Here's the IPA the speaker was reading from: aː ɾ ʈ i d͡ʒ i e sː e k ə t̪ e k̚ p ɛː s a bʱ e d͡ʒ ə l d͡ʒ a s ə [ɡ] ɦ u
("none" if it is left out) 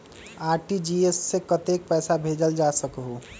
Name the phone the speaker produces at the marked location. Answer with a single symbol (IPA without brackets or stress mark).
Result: k